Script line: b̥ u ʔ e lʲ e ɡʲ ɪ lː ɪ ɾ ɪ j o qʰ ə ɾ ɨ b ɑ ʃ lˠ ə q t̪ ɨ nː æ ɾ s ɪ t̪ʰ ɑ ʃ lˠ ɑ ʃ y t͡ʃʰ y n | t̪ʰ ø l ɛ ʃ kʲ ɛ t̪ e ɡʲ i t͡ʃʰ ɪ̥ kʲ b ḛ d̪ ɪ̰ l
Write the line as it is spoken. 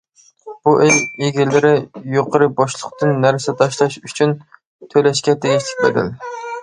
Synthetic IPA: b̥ u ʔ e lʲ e ɡʲ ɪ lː ɪ ɾ ɪ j o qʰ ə ɾ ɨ b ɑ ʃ lˠ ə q t̪ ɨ nː æ ɾ s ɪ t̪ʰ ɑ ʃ lˠ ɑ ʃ y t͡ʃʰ y n | t̪ʰ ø l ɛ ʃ kʲ ɛ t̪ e ɡʲ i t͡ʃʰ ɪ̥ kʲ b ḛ d̪ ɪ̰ l